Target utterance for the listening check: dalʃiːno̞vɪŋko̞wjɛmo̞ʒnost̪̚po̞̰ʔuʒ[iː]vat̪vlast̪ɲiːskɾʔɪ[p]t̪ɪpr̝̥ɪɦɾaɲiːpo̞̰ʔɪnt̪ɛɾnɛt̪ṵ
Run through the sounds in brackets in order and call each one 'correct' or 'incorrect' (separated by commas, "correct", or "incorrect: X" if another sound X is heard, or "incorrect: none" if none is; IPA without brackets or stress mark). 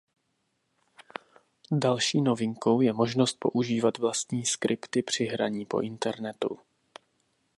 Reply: correct, correct